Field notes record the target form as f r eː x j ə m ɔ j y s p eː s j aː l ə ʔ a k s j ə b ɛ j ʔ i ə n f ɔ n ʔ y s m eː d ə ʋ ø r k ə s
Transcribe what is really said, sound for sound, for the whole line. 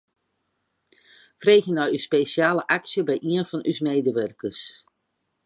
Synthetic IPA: f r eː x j ə n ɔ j y s p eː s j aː l ə ʔ a k s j ə b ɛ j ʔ i ə n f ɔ n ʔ y s m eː d ə ʋ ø r k ə s